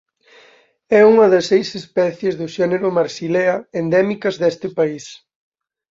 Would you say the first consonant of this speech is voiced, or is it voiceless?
voiced